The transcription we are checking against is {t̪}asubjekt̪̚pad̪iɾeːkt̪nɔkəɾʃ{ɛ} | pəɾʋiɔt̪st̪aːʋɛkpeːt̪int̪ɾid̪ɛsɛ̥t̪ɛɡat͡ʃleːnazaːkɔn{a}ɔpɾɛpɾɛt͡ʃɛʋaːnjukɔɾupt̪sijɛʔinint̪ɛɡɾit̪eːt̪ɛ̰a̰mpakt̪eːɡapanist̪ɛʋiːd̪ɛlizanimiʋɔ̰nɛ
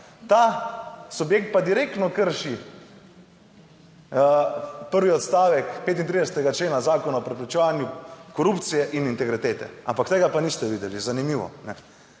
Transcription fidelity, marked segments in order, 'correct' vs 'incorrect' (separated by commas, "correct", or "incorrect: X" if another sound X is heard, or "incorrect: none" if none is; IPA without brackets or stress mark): correct, incorrect: i, correct